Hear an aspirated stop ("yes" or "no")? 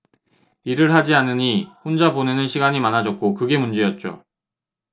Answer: no